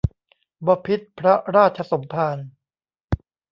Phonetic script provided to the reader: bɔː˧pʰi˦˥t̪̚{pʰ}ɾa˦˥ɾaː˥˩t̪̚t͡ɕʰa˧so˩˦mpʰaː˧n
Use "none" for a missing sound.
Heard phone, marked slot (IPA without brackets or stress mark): pʰ